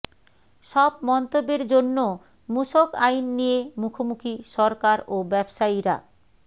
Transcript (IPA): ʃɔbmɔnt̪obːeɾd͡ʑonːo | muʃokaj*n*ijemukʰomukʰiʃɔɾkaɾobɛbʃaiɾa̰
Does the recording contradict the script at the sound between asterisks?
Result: yes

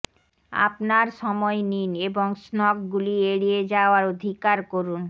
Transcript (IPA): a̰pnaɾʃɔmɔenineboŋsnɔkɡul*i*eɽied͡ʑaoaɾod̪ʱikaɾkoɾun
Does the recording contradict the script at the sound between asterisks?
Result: no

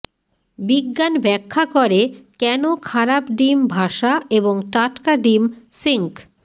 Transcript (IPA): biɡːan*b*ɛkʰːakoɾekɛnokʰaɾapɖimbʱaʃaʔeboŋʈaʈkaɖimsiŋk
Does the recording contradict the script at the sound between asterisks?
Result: no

